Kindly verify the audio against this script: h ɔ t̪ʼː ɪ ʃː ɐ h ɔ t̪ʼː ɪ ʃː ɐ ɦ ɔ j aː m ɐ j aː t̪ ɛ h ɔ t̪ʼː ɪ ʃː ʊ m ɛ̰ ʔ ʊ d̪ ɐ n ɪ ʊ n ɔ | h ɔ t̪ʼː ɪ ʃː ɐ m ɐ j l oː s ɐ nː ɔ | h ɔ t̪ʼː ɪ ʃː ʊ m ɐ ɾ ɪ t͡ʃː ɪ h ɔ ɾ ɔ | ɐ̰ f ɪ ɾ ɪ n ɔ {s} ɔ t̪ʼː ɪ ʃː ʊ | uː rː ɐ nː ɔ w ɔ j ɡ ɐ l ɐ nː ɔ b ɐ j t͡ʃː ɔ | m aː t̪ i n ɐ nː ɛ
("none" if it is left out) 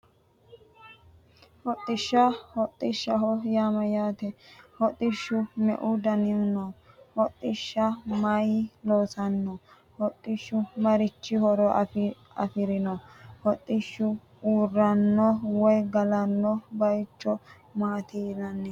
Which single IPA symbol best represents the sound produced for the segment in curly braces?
h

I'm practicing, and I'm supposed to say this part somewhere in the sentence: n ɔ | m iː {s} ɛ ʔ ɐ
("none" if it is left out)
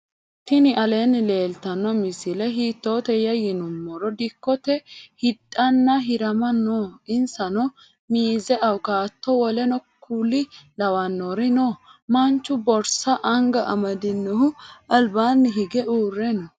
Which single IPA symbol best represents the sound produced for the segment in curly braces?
z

